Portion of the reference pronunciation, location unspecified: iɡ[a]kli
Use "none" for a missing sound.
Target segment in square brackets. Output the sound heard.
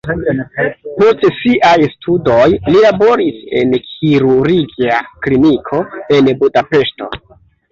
a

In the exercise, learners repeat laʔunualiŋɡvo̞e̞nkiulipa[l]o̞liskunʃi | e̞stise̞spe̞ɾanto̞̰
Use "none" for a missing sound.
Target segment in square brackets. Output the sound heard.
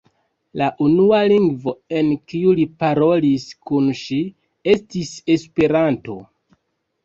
ɾ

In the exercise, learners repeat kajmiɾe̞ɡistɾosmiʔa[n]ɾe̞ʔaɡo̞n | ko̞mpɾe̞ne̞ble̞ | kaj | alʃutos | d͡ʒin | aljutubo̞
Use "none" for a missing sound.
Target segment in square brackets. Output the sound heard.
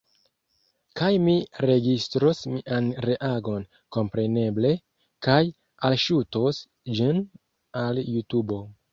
n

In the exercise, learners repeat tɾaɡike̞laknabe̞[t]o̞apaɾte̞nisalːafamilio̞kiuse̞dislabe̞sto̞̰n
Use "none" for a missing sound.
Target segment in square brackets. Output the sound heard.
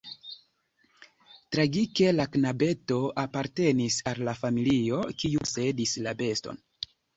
t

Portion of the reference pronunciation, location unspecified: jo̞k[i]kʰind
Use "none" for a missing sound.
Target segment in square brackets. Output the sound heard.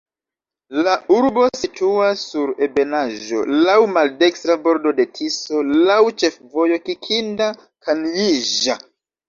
i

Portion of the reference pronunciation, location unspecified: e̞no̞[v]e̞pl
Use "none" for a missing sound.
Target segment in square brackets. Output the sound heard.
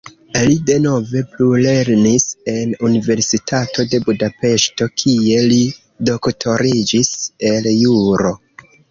v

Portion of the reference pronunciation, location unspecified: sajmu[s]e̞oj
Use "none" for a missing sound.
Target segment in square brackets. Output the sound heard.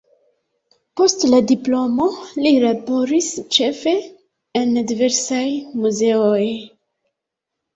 z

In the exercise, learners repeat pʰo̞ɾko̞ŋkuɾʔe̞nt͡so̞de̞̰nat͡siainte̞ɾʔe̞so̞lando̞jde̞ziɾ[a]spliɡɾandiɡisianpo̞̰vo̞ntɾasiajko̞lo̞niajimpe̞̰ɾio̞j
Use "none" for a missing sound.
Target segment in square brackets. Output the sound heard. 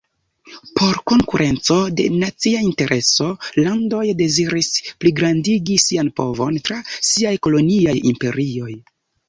i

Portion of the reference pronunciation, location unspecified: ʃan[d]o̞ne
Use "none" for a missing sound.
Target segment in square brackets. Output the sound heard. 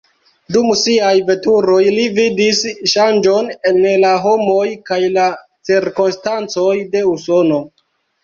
d͡ʒ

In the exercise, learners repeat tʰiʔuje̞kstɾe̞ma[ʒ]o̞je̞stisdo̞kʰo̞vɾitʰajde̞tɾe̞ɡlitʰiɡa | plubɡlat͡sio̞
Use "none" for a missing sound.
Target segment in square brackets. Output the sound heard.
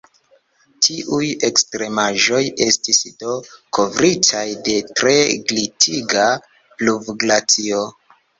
ʒ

